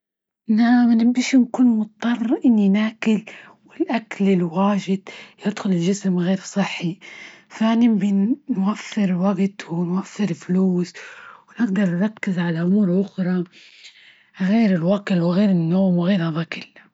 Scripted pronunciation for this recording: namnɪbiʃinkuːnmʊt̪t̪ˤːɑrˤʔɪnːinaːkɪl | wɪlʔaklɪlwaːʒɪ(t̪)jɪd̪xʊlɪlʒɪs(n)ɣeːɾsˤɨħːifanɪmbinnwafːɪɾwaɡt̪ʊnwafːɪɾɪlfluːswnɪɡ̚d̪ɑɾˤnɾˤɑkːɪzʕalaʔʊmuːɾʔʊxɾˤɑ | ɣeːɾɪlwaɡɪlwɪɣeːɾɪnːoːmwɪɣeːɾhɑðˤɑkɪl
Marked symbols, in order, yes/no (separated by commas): no, no